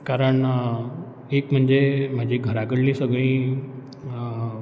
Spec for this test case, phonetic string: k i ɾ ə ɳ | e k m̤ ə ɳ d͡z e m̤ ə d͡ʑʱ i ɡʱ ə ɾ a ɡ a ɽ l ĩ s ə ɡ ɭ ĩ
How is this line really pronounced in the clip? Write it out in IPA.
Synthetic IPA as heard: k a ɾ ə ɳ | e k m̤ ə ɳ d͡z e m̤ a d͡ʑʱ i ɡʱ ə ɾ a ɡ ə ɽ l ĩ s ə ɡ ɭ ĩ